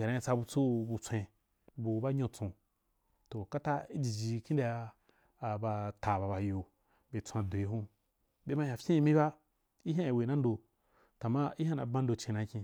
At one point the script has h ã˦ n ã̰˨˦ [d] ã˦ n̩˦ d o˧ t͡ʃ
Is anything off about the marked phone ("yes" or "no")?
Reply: yes